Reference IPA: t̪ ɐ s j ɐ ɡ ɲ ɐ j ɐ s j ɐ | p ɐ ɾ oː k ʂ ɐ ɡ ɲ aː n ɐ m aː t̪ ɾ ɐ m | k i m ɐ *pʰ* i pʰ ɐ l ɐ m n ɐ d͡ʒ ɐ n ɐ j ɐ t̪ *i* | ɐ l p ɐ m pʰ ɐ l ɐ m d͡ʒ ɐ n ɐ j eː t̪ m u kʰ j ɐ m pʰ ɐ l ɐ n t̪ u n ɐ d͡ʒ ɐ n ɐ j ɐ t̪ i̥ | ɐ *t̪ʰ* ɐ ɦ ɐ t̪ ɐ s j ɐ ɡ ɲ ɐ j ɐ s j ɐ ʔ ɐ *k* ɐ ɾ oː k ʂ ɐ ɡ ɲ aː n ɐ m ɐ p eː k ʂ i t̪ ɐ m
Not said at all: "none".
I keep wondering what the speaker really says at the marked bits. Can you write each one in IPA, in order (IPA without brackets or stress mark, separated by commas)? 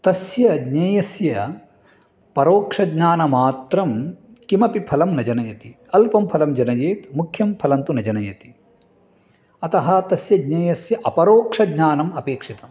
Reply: p, i, t̪, p